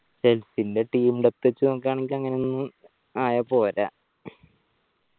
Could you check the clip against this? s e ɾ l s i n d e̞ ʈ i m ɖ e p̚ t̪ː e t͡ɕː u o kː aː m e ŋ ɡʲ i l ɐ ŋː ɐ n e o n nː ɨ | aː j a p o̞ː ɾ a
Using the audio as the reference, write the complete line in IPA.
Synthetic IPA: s e l s i n d e̞ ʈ iː m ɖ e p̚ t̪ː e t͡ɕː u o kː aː ɳ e ŋ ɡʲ i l ɐ ŋː ɐ n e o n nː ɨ | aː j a p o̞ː ɾ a